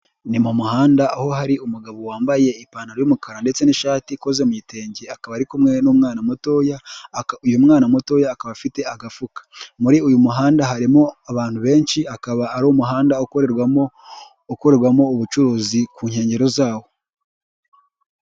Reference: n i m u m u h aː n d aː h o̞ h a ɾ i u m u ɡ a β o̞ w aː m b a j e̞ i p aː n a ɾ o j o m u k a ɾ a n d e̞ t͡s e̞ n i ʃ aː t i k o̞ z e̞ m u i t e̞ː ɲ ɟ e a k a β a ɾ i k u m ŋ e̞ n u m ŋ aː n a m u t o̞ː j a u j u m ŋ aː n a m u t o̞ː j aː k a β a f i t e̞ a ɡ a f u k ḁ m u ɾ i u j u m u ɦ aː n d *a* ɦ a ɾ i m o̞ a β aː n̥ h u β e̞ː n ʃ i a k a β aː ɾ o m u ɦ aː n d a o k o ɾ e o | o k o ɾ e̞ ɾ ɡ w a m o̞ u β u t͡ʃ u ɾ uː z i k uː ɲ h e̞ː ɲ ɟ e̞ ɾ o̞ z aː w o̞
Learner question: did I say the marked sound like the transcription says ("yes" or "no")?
yes